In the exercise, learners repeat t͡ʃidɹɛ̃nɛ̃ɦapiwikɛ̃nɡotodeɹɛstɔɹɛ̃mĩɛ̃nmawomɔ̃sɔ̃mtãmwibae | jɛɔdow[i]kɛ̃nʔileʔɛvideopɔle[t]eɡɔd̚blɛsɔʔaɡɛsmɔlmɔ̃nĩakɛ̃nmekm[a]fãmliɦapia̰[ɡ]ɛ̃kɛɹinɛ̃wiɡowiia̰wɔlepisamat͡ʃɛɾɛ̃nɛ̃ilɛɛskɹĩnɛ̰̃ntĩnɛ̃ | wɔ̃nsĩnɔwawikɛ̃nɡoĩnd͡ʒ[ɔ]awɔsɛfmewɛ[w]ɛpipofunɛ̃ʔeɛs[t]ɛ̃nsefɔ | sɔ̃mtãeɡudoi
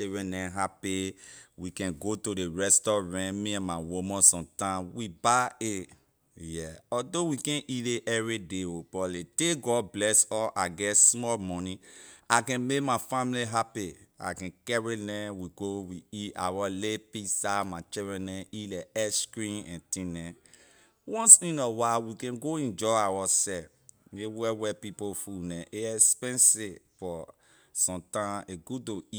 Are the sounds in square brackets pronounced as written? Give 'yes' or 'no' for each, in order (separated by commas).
yes, yes, yes, no, yes, yes, no